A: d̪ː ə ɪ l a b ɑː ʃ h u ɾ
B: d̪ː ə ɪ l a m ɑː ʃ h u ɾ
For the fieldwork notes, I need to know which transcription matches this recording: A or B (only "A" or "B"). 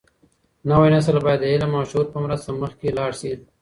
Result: B